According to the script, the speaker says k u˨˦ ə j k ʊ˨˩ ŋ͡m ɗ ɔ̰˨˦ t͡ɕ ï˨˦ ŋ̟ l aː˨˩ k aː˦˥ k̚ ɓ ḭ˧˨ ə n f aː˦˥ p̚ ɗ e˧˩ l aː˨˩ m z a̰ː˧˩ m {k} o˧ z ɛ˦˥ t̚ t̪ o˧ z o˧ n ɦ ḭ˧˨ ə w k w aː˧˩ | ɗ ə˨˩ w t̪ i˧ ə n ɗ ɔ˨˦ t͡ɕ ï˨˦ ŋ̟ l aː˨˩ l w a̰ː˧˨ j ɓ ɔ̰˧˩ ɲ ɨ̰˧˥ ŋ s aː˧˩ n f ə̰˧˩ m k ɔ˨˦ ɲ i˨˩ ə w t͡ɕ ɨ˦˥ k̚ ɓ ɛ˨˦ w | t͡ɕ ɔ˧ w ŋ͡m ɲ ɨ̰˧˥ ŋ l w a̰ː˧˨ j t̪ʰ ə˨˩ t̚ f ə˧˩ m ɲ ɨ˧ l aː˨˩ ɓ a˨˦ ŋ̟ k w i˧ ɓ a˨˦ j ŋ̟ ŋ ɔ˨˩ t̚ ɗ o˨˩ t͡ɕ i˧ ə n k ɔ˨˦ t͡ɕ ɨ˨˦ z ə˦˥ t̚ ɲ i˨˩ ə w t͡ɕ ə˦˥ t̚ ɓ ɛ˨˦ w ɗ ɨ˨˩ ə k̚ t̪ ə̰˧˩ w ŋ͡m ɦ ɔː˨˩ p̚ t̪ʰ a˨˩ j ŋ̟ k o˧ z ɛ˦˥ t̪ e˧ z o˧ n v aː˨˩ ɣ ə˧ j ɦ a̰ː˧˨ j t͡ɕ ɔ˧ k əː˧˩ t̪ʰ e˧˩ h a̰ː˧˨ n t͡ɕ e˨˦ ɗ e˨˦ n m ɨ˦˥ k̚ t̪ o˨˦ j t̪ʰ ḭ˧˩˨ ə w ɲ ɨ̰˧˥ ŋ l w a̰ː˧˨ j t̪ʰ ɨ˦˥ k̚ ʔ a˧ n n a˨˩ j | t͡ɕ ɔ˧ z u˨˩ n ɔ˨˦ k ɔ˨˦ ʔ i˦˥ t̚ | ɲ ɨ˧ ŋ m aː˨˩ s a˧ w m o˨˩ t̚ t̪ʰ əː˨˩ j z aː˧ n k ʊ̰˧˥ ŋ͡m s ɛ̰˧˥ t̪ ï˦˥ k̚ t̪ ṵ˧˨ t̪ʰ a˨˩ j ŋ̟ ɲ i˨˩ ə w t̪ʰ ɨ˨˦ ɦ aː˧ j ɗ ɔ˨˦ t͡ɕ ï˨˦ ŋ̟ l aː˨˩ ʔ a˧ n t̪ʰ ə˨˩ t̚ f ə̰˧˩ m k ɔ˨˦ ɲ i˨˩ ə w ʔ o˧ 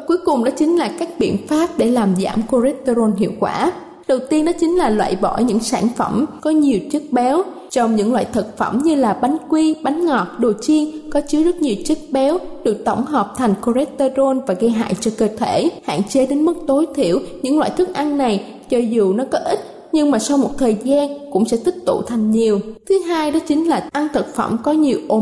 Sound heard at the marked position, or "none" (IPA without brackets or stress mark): k